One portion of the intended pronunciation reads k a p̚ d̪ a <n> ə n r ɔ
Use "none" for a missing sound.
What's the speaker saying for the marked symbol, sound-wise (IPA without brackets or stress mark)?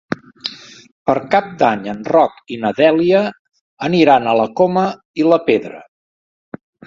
ɲ